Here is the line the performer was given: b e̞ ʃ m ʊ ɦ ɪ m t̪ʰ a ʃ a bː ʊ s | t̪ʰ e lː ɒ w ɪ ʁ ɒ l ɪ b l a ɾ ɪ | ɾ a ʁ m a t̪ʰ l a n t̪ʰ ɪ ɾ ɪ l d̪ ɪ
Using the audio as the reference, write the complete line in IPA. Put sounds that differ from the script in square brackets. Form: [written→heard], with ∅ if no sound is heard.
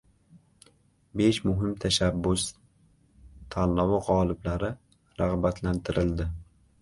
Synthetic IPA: b e̞ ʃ m ʊ ɦ ɪ m t̪ʰ a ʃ a bː ʊ s | t̪ʰ [e→a] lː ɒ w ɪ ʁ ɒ l ɪ b l a ɾ ɪ | ɾ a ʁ [m→b] a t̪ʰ l a n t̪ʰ ɪ ɾ ɪ l d̪ ɪ